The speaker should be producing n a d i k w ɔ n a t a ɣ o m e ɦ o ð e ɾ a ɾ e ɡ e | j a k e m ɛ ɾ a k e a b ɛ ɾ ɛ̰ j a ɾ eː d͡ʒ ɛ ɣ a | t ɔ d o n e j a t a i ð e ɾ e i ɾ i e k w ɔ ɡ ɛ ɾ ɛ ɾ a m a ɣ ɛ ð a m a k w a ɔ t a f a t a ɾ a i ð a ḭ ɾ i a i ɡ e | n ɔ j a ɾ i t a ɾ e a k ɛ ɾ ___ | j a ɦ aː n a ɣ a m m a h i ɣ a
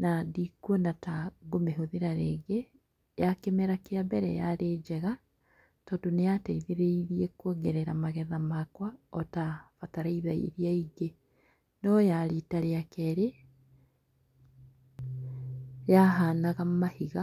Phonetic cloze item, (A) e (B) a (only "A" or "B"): A